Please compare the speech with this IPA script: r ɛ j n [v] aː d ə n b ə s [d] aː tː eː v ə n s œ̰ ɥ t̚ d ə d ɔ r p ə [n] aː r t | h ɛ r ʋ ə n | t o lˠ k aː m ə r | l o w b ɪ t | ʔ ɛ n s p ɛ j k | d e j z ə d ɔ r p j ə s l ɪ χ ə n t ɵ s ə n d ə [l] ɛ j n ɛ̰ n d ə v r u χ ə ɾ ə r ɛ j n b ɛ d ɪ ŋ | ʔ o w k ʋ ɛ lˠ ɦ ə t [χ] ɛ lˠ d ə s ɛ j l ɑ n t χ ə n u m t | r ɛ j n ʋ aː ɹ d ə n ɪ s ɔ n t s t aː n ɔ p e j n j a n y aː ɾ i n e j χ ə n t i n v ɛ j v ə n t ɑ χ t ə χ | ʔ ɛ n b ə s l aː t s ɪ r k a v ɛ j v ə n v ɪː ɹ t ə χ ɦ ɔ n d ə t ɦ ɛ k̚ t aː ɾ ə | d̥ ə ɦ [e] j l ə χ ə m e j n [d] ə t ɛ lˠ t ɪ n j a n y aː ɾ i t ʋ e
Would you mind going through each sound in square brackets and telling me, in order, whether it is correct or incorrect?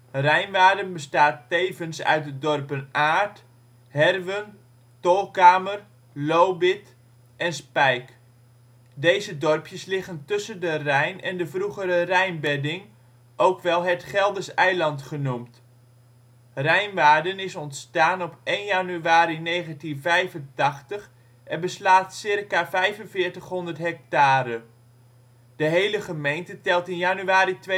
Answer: incorrect, incorrect, correct, incorrect, correct, correct, incorrect

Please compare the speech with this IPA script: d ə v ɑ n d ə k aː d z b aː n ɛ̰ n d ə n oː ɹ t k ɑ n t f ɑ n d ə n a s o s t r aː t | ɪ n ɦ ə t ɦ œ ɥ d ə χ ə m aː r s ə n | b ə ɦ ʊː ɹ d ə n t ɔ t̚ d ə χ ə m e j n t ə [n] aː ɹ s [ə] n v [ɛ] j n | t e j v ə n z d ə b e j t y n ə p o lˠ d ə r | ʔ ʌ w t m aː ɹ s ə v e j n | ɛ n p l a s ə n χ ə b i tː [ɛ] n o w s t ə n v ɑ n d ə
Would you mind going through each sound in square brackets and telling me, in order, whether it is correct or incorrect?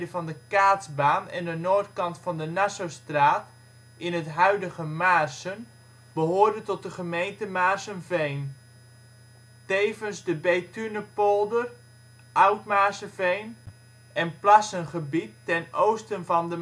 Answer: incorrect, correct, incorrect, correct

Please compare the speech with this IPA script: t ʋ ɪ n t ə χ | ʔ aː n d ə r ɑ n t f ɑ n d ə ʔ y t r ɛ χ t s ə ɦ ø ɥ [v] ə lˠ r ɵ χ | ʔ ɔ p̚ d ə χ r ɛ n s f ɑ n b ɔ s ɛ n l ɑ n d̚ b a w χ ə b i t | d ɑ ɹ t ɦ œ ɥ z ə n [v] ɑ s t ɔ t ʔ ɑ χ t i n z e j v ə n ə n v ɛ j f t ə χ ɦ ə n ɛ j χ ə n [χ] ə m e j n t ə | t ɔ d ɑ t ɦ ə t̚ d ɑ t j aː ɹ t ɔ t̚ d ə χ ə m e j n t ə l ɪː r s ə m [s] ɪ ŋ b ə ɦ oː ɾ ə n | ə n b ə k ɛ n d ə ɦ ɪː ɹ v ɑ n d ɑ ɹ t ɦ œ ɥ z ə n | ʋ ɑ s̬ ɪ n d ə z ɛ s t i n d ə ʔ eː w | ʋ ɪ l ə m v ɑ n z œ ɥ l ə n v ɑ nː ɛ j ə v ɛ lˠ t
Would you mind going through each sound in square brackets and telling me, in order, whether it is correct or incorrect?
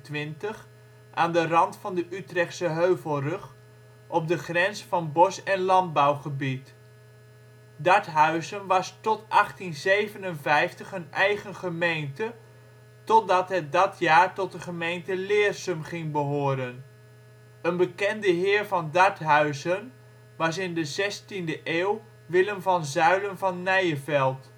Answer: correct, incorrect, correct, incorrect

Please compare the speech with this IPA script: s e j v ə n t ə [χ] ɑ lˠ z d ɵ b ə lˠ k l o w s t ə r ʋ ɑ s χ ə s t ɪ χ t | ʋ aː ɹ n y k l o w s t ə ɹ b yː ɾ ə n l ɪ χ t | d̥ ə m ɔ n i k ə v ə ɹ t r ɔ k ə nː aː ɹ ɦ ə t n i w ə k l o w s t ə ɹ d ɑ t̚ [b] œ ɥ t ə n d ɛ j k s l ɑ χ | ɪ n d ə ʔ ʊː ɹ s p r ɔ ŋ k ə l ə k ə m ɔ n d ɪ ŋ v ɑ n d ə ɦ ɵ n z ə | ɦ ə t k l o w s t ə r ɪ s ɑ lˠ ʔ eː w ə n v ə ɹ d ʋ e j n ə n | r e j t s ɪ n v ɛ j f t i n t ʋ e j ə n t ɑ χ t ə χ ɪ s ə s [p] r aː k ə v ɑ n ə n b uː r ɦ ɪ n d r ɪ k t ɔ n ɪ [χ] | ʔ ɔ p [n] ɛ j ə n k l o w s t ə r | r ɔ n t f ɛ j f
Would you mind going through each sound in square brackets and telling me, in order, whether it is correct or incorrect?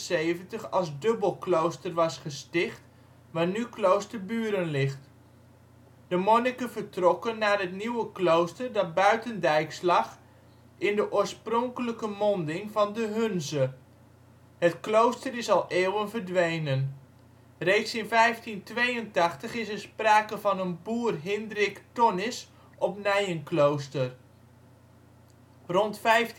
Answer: correct, correct, correct, incorrect, correct

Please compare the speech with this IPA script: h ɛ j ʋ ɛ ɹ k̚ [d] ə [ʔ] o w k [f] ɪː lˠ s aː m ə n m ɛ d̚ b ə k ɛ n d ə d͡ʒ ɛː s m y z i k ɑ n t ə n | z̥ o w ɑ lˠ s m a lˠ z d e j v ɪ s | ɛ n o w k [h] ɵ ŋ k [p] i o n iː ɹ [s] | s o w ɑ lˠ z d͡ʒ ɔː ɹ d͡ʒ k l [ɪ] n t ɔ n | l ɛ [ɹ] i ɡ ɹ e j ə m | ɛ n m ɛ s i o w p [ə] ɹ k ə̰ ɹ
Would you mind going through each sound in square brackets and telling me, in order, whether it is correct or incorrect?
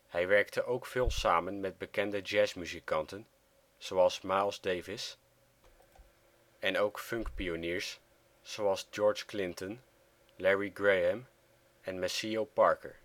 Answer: incorrect, correct, correct, incorrect, correct, correct, correct, correct, incorrect

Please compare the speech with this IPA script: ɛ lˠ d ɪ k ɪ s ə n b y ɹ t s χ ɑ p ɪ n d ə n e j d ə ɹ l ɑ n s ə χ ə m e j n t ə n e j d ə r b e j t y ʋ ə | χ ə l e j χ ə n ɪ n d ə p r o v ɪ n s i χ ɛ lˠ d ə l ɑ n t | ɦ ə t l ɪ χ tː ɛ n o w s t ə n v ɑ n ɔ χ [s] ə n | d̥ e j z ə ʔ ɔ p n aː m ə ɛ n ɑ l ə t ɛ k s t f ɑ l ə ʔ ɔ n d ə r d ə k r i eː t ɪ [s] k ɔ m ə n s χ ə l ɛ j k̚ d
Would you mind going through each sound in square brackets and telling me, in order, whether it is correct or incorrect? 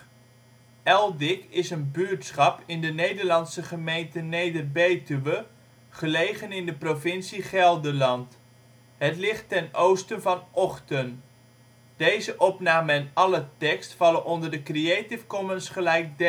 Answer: incorrect, incorrect

